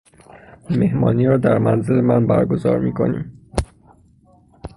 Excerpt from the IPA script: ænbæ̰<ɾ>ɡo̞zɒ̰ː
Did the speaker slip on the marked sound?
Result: no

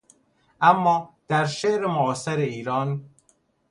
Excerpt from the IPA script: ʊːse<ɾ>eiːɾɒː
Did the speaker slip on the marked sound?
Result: no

